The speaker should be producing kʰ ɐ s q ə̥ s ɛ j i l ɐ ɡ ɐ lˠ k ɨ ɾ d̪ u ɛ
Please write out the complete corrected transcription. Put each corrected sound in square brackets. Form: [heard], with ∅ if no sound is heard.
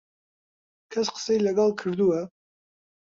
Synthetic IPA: kʰ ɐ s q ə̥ s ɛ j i l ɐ ɡ [ɑ] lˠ [kʰ] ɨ ɾ d̪ u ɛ